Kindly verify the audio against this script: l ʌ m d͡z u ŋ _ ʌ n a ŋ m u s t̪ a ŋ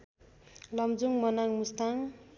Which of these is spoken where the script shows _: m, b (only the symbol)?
m